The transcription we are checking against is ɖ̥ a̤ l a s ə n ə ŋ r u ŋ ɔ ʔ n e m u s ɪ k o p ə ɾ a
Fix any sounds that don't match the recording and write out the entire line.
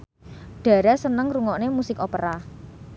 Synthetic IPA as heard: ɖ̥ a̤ ɾ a s ə n ə ŋ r u ŋ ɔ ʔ n e m u s ɪ k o p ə ɾ a